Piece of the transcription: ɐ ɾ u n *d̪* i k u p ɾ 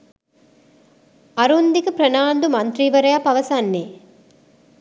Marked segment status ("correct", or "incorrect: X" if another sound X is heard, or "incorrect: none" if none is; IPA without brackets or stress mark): correct